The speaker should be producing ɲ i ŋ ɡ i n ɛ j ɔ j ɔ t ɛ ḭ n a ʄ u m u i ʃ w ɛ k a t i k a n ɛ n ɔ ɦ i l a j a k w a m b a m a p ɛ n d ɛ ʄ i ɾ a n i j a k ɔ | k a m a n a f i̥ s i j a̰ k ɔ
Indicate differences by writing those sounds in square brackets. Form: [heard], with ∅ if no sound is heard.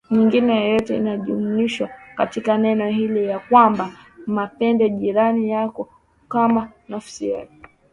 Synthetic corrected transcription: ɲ i ŋ ɡ i n ɛ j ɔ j ɔ t ɛ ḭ n a ʄ u m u i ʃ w [a] k a t i k a n ɛ n ɔ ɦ i l [i] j a k w a m b a m a p ɛ n d ɛ ʄ i ɾ a n i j a k ɔ | k a m a n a f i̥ s i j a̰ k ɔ